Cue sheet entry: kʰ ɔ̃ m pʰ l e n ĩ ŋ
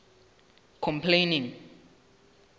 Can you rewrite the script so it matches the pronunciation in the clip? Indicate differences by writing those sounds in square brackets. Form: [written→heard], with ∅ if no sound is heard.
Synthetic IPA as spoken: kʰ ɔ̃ m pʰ l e n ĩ ŋ